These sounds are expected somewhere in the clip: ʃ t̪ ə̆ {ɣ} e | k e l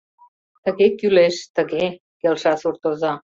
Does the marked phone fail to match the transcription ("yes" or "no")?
no